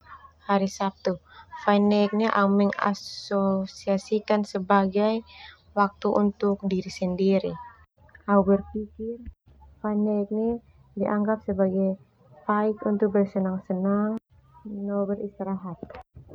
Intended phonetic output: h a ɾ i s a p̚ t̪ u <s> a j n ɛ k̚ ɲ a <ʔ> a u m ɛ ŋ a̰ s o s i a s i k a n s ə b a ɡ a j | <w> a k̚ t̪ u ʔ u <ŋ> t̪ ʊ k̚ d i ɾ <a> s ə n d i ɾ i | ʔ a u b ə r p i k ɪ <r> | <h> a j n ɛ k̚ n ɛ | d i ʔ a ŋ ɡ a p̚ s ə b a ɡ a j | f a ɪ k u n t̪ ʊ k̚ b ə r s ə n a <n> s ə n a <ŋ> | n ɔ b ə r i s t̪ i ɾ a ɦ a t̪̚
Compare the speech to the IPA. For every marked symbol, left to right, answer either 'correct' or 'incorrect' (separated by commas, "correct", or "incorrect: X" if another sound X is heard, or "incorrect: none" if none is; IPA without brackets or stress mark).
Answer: incorrect: f, correct, correct, incorrect: n, incorrect: i, correct, incorrect: f, incorrect: ŋ, correct